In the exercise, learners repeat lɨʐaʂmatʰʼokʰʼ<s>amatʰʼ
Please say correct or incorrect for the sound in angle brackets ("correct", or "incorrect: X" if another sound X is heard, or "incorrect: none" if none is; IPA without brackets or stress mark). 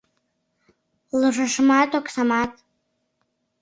correct